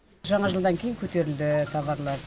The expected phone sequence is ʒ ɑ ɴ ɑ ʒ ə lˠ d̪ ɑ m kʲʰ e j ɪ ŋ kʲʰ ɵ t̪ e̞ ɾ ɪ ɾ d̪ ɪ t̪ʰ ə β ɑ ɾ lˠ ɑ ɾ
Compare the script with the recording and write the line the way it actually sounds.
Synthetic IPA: ʒ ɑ ɴ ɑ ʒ ə lˠ d̪ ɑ ŋ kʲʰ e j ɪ ŋ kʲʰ ɵ t̪ e̞ ɾ ɪ l d̪ ɪ t̪ʰ ɑ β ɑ ɾ lˠ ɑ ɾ